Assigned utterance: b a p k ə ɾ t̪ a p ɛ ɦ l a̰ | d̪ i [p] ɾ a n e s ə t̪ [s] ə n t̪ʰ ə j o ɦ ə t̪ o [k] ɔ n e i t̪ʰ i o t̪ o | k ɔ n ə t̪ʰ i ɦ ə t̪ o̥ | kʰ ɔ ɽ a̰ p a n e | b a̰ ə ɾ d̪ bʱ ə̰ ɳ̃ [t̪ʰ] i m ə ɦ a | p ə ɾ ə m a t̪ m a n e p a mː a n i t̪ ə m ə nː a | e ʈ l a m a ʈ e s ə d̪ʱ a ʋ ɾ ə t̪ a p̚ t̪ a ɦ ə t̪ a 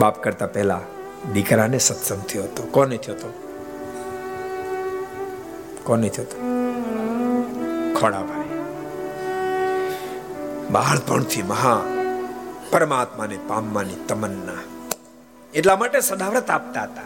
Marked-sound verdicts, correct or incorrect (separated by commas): incorrect, correct, correct, correct